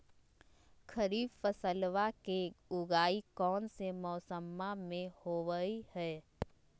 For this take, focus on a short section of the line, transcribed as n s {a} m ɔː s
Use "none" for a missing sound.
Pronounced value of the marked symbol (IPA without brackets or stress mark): e